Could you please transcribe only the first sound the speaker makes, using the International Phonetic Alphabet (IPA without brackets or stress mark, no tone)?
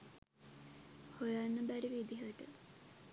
h